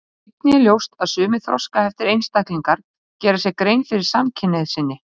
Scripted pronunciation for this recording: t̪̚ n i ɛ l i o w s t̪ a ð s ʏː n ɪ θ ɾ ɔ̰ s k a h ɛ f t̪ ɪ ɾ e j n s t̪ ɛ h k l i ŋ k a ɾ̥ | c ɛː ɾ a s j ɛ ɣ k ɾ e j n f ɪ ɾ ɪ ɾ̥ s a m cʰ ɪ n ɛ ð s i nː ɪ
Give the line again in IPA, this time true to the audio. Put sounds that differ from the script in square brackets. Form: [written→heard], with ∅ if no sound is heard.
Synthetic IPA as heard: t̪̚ n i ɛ l [i→j] o w s t̪ a ð s ʏː [n→m] ɪ θ ɾ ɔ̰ s k a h ɛ f t̪ ɪ ɾ e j n s t̪ [ɛ→a] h k l i ŋ k a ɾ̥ | c ɛː ɾ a s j ɛ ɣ k ɾ e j n f ɪ ɾ ɪ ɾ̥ s a m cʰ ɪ n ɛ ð s [i→ɪ] nː ɪ

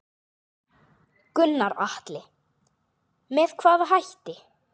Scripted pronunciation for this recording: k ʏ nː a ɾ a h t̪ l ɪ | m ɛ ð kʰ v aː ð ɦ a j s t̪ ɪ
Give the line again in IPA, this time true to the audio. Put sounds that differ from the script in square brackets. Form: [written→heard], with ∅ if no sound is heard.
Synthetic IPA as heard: k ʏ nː a ɾ a h t̪ l ɪ | m ɛ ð kʰ v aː ð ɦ a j [s→h] t̪ ɪ

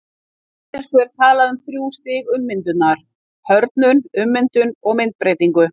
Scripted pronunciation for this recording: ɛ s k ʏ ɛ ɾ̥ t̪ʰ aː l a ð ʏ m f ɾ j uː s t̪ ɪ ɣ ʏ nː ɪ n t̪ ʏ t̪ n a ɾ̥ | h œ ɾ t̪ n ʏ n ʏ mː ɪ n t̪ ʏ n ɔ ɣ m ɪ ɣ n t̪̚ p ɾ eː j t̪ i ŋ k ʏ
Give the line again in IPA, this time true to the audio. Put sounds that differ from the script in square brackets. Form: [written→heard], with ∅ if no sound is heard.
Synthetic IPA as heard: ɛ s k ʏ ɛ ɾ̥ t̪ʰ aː l a ð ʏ m [f→θ] ɾ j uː s t̪ ɪ ɣ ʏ [nː→mː] ɪ n t̪ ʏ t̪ n a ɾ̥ | h œ ɾ t̪ n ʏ n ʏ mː ɪ n t̪ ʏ n ɔ ɣ m ɪ [ɣ→∅] n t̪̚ p ɾ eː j t̪ i ŋ k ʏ

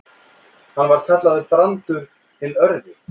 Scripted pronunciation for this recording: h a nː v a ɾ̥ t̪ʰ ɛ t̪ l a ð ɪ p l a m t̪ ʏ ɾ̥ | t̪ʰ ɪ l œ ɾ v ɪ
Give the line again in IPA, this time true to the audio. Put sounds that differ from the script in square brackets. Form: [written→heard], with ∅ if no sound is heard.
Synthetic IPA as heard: h a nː v a ɾ̥ t̪ʰ ɛ t̪ l a ð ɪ p [l→ɾ] a [m→n] t̪ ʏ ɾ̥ | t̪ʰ ɪ l œ ɾ [v→ð] ɪ

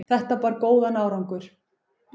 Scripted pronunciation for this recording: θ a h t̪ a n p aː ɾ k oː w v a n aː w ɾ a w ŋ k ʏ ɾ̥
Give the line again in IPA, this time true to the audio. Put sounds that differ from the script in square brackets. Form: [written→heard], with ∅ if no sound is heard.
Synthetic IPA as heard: θ [a→ɛ] h t̪ a [n→∅] p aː ɾ k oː w [v→ð] a n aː w ɾ a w ŋ k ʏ ɾ̥

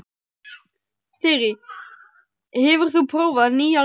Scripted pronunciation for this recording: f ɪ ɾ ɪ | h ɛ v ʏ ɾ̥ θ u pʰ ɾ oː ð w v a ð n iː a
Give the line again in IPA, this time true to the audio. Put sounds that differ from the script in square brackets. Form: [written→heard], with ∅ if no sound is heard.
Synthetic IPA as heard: [f→θ] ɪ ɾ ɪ | h ɛ v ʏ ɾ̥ θ u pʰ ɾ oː [ð→∅] w v a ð n iː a

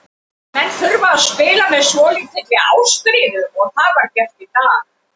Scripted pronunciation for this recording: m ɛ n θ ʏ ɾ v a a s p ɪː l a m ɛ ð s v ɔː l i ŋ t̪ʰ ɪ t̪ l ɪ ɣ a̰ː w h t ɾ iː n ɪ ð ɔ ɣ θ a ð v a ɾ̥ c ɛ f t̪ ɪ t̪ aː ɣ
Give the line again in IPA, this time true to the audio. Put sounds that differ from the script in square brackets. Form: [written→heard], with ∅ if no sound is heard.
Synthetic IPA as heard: m ɛ n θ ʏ ɾ v a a s p ɪː l a m ɛ ð s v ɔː l i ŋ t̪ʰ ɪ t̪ l ɪ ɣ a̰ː w [h→s] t ɾ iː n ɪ ð ɔ ɣ θ a ð v a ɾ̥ c ɛ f t̪ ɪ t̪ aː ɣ

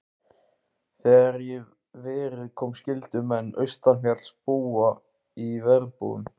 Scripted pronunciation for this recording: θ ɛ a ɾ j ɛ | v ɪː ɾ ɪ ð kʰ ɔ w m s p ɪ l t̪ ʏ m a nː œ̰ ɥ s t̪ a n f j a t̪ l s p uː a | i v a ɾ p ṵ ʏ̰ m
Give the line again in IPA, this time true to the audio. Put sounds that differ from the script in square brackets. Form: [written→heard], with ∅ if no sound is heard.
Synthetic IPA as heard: θ ɛ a ɾ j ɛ | v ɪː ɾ ɪ ð kʰ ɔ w m s [p→c] ɪ l t̪ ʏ m [a→ɛ] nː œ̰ ɥ s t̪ a n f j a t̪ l s p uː a | i v [a→ɛ] ɾ p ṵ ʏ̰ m

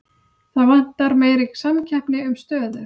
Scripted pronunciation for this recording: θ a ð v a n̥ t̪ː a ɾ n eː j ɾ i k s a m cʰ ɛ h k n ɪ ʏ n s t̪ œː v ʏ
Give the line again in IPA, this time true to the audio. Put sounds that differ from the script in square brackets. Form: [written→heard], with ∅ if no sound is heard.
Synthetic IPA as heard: θ a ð v a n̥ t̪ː a ɾ [n→m] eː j ɾ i k s a m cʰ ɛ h [k→p] n ɪ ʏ [n→m] s t̪ œː [v→ð] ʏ

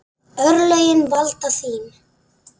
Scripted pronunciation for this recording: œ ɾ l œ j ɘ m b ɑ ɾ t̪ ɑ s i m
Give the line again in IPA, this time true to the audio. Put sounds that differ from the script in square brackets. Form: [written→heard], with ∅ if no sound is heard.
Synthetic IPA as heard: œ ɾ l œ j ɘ [m→n] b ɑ [ɾ→l] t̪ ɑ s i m

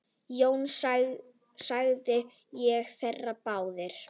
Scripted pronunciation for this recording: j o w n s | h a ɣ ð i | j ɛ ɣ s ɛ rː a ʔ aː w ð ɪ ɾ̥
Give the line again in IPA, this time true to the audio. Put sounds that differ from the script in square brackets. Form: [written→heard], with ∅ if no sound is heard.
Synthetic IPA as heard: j o w n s | [h→s] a ɣ ð [i→ɪ] | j ɛ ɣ [s→θ] ɛ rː a [ʔ→p] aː w ð ɪ ɾ̥

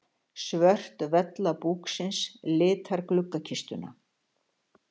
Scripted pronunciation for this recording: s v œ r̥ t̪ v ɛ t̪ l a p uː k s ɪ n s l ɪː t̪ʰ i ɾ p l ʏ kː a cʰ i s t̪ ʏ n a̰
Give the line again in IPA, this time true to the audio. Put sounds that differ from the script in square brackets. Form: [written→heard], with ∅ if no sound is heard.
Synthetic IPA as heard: s v œ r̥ t̪ v ɛ t̪ l a p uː k s ɪ n s l ɪː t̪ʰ [i→a] ɾ [p→k] l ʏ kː a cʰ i s t̪ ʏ n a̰

